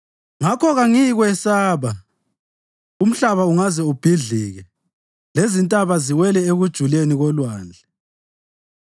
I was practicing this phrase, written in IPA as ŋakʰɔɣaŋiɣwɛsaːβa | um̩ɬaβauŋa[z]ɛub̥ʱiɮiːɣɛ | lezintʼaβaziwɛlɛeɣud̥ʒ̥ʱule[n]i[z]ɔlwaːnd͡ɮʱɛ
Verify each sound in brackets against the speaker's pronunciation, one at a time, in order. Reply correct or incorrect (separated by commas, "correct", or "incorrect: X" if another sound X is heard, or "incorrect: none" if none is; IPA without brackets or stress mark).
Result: correct, correct, incorrect: ɣ